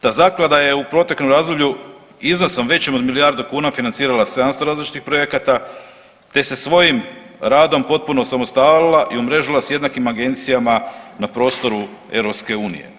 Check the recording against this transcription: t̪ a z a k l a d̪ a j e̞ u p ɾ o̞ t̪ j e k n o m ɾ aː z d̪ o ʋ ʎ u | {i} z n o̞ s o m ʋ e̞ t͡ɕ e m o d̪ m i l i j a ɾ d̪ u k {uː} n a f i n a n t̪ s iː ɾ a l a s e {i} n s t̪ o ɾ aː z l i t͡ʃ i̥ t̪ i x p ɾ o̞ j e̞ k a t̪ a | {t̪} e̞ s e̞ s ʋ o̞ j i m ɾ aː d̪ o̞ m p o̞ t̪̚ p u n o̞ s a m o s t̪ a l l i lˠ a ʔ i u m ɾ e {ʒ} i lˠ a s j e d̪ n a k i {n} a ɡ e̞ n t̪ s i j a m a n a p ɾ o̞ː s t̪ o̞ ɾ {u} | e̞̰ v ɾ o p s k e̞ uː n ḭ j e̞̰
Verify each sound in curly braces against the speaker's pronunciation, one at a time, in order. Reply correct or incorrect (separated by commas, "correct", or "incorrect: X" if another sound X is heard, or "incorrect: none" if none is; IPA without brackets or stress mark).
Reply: correct, correct, incorrect: a, correct, correct, incorrect: m, correct